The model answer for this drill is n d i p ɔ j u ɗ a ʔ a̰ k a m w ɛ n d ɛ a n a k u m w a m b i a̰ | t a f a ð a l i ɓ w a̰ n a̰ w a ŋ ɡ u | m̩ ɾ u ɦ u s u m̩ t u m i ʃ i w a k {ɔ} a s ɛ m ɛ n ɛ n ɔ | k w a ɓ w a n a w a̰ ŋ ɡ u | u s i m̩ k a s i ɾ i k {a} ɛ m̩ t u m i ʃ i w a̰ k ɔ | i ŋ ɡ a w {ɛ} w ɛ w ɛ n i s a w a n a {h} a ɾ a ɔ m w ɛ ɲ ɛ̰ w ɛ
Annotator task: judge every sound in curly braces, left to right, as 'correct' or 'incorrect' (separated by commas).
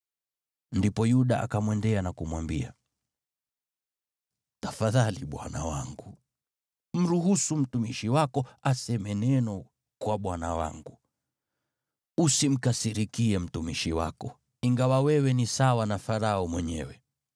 correct, incorrect, incorrect, incorrect